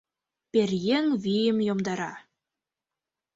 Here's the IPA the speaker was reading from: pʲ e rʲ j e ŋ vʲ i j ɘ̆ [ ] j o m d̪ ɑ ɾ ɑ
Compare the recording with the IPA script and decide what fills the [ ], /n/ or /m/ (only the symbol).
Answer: m